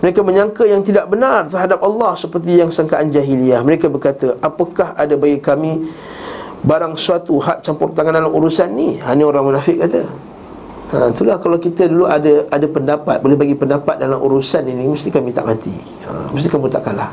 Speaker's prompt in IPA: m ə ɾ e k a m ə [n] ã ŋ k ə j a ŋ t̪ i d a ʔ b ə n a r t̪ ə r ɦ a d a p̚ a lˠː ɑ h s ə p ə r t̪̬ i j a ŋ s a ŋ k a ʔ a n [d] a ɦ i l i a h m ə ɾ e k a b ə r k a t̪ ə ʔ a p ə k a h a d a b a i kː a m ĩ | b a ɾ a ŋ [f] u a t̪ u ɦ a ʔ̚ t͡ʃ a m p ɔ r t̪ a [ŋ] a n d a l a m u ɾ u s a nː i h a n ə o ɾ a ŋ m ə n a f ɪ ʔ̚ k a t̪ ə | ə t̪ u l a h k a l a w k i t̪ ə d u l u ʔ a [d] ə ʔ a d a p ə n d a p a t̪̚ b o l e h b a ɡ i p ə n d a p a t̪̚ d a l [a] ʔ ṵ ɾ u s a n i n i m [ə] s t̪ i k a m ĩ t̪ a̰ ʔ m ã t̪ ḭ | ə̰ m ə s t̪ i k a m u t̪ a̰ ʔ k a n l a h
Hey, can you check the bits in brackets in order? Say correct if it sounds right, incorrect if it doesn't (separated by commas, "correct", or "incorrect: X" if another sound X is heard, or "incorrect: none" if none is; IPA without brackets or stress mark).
incorrect: ɲ, incorrect: d͡ʒ, incorrect: s, correct, correct, correct, correct